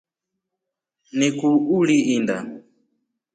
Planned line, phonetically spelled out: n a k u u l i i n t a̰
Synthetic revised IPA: n i k u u l i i n d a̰